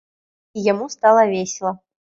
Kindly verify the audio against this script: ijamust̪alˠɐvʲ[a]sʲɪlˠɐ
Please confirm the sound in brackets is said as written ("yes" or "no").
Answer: no